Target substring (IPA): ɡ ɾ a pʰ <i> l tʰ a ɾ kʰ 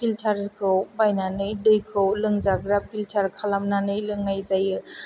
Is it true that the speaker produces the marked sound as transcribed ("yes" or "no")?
yes